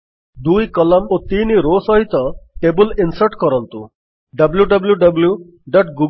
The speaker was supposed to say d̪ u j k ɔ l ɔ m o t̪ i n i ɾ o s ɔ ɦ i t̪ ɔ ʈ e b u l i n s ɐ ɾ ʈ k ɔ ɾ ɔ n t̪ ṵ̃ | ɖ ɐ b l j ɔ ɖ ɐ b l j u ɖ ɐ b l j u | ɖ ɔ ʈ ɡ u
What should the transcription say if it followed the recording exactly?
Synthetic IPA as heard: d̪ u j k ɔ l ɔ m o t̪ i n i ɾ o s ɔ ɦ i t̪ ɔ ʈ e b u l i n s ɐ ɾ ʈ k ɔ ɾ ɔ n t̪ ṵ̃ | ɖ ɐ b l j u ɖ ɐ b l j u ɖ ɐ b l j u | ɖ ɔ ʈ ɡ u

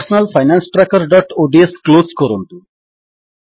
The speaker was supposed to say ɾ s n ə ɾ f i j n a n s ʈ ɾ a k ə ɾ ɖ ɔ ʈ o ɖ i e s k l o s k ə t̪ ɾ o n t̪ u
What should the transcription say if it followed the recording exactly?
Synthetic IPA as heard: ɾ s n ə l f a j n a n s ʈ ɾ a k ə ɾ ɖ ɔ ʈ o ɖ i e s k l o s k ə ɾ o n t̪ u

